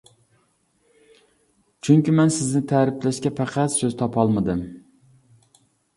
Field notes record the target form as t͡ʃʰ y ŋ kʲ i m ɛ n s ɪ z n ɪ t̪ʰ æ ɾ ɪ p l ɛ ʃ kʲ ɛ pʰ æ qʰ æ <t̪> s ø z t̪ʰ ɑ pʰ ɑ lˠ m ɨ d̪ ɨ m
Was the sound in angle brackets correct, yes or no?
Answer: yes